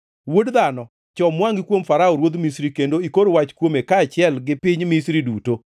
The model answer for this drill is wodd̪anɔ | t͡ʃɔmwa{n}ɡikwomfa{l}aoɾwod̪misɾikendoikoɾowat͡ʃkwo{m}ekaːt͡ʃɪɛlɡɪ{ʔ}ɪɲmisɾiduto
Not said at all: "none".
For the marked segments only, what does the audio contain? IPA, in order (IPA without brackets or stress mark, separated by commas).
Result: ŋ, ɾ, m, p